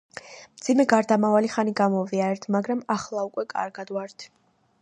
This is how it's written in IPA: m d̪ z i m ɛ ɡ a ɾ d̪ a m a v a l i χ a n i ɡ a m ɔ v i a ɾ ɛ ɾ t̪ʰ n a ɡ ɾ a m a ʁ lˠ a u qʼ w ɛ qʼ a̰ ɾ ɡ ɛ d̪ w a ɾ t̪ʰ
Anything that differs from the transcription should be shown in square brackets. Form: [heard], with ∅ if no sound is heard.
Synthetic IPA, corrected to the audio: m d̪ z i m ɛ ɡ a ɾ d̪ a m a v a l i χ a n i ɡ a m ɔ v i a ɾ ɛ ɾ t̪ʰ [m] a ɡ ɾ a m a [χ] lˠ a u [kʼ] w ɛ [kʼ] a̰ ɾ ɡ [a] d̪ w a ɾ t̪ʰ